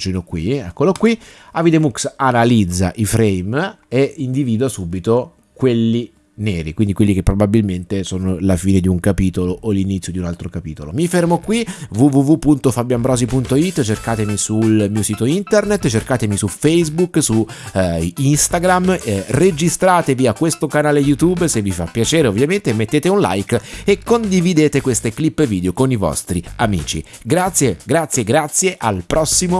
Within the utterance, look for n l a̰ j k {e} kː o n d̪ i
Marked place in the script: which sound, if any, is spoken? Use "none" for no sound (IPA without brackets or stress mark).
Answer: e